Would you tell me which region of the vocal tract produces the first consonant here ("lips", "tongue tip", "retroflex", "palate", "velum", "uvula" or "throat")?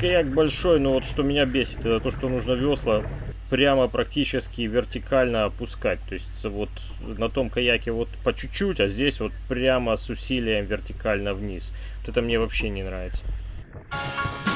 velum